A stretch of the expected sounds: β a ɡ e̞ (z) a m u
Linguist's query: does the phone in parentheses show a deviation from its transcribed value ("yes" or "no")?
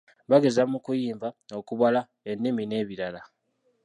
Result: no